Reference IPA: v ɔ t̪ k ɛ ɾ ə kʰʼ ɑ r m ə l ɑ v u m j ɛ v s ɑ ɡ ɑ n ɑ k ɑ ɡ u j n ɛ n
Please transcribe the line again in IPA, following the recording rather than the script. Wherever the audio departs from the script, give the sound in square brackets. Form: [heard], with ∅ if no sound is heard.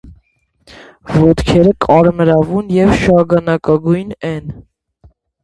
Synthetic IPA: v ɔ t̪ [kʰ] ɛ ɾ ə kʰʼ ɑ [ɾ] m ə [ɾ] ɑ v u [n] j ɛ v [ʃ] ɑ ɡ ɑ n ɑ k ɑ ɡ u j n ɛ n